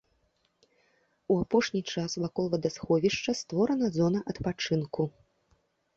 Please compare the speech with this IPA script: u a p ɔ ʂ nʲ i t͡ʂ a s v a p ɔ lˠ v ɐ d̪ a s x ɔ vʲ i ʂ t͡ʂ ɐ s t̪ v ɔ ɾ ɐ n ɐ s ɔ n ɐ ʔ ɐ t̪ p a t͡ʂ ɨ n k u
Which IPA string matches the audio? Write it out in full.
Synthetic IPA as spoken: u a p ɔ ʂ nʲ i t͡ʂ a s v a k ɔ lˠ v ɐ d̪ a s x ɔ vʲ i ʂ t͡ʂ ɐ s t̪ v ɔ ɾ ɐ n ɐ z ɔ n ɐ ʔ ɐ t̪ p a t͡ʂ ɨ n k u